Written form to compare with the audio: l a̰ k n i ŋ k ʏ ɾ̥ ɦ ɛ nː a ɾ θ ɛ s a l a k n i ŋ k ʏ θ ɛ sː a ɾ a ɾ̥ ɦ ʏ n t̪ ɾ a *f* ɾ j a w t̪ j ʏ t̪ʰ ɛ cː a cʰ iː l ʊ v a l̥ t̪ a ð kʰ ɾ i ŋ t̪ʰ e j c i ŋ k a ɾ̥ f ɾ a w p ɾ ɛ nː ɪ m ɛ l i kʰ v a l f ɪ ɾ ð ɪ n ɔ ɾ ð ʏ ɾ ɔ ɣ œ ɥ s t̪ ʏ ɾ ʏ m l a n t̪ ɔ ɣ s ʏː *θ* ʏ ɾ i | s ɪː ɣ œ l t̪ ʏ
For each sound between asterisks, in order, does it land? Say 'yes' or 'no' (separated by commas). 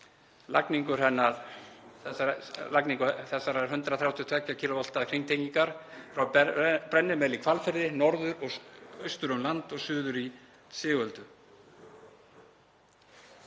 no, no